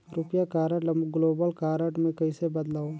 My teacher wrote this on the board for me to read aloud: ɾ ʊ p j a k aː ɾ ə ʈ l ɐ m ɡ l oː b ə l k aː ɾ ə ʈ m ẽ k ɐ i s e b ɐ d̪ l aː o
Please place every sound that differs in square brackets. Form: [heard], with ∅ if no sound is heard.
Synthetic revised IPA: ɾ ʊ p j a k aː ɾ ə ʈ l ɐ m ɡ l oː b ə l k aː ɾ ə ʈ m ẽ k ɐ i s e b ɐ d̪ l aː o